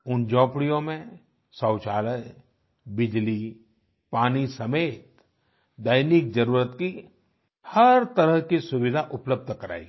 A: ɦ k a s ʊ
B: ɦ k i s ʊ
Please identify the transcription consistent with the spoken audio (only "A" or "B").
B